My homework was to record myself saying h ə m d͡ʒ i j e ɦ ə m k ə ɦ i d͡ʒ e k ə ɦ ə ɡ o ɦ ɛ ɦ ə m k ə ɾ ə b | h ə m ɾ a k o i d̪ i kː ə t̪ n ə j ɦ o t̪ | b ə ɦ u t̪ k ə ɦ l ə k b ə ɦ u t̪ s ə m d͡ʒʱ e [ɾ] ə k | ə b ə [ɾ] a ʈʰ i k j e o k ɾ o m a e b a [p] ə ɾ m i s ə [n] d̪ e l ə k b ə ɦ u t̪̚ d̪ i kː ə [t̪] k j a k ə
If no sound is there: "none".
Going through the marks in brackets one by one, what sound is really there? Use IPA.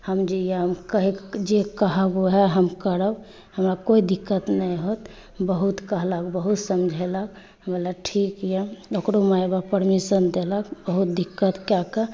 l, l, p, n, t̪

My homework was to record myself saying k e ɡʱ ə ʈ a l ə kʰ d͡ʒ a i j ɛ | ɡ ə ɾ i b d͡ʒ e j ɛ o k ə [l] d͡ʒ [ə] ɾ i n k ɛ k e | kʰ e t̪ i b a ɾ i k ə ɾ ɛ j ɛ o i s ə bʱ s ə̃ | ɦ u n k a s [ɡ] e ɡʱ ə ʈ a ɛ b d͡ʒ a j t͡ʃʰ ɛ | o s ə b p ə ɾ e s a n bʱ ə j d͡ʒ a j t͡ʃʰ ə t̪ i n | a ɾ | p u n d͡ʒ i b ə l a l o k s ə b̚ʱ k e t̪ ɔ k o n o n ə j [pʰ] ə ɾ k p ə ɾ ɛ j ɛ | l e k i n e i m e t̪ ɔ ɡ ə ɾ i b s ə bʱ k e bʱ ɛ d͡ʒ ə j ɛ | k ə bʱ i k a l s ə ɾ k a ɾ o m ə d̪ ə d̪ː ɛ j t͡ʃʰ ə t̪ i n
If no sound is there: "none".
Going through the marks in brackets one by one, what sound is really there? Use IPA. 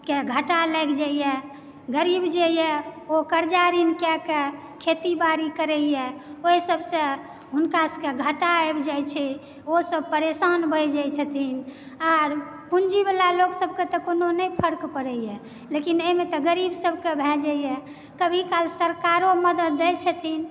ɾ, a, k, pʰ

